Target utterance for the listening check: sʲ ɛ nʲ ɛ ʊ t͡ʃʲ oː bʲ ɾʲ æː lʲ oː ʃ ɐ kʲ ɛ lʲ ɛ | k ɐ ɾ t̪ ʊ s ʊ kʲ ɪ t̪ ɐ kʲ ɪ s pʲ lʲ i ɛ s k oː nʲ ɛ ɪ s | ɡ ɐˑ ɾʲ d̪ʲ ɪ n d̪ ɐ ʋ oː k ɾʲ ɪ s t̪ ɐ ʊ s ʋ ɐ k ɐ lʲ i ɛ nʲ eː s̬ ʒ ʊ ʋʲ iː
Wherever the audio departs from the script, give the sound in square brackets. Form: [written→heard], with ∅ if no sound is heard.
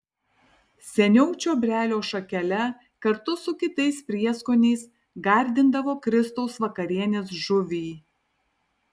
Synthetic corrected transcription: sʲ ɛ nʲ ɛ ʊ t͡ʃʲ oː bʲ ɾʲ æː lʲ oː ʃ ɐ kʲ ɛ lʲ ɛ | k ɐ ɾ t̪ ʊ s ʊ kʲ ɪ t̪ ɐ [kʲ→∅] ɪ s pʲ [lʲ→ɾʲ] i ɛ s k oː nʲ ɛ ɪ s | ɡ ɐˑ ɾʲ d̪ʲ ɪ n d̪ ɐ ʋ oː k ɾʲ ɪ s t̪ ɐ ʊ s ʋ ɐ k ɐ [lʲ→ɾʲ] i ɛ nʲ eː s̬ ʒ ʊ ʋʲ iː

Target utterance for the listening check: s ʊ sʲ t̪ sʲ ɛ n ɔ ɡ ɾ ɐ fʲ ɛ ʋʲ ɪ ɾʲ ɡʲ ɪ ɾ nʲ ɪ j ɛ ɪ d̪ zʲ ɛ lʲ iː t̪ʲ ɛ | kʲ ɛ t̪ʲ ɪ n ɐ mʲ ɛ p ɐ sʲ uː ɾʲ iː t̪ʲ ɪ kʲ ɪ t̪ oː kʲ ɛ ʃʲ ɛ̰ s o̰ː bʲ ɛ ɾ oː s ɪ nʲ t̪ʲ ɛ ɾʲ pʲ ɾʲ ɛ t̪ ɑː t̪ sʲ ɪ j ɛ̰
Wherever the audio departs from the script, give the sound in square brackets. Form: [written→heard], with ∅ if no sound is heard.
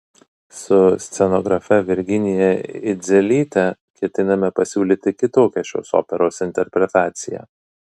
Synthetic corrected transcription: s ʊ sʲ t̪ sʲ ɛ n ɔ ɡ ɾ ɐ fʲ ɛ ʋʲ ɪ ɾʲ ɡʲ ɪ [ɾ→∅] nʲ ɪ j ɛ ɪ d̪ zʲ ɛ lʲ iː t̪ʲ ɛ | kʲ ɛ t̪ʲ ɪ n ɐ mʲ ɛ p ɐ sʲ uː [ɾʲ→lʲ] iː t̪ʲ ɪ kʲ ɪ t̪ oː kʲ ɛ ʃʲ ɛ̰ s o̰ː [bʲ→pʲ] ɛ ɾ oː s ɪ nʲ t̪ʲ ɛ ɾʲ pʲ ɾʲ ɛ t̪ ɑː t̪ sʲ ɪ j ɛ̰

